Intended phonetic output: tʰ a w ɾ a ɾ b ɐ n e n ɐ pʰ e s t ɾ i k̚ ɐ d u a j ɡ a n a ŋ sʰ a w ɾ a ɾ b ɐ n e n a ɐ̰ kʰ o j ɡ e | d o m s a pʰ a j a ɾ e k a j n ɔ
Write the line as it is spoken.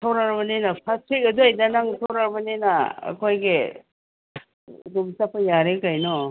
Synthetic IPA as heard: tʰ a w ɾ a ɾ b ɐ n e n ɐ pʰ a s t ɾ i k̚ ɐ d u a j d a n a ŋ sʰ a w ɾ a ɾ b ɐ n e n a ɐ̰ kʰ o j ɡ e | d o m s a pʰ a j a ɾ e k a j n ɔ

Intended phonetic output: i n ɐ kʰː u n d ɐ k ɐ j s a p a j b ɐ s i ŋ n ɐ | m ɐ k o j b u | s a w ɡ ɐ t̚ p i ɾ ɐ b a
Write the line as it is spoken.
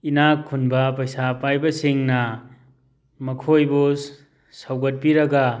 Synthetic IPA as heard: i n a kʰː u n b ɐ p ɐ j s a p a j b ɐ s i ŋ n ɐ | m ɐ kʰ o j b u | s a w ɡ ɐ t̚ p i ɾ ɐ ɡ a

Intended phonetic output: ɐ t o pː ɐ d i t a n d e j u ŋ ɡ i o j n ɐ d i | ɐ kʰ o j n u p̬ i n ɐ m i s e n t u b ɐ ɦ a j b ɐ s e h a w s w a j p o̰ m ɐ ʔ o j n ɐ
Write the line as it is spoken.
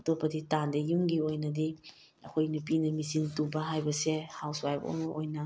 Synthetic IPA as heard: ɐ t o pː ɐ d i t a n d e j u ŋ ɡ i o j n ɐ d i | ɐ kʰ o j n u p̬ i n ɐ m i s i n t u b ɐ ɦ a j b ɐ s e h a w s w a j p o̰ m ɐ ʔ o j n ɐ

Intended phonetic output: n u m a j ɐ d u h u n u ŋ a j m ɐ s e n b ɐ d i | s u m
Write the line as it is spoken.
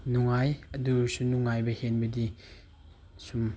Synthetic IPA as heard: n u ŋ a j ɐ d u s u n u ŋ a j b ɐ h e n b ɐ d i | s u m

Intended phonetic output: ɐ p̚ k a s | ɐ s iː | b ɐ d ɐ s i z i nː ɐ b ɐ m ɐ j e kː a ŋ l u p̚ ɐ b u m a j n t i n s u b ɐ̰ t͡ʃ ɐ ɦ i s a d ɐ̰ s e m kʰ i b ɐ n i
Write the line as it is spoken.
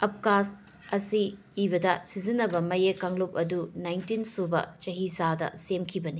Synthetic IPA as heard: ɐ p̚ k a s | ɐ s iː | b ɐ d ɐ s i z i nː ɐ b ɐ m ɐ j e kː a ŋ l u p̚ ɐ d u n a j n t i n s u b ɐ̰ t͡ʃ ɐ ɦ i s a d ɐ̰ s e m kʰ i b ɐ n i

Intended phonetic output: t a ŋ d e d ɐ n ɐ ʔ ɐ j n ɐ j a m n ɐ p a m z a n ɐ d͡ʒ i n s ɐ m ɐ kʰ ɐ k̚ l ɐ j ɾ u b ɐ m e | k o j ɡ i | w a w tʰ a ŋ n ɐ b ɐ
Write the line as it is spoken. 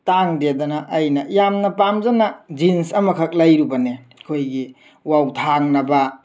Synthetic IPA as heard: t a ŋ d e d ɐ n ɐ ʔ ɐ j n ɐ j a m n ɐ p a m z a n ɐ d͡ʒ i n s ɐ m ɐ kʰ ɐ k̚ l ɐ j ɾ u b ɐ n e | kʰ o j ɡ i | w a w tʰ a ŋ n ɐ b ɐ

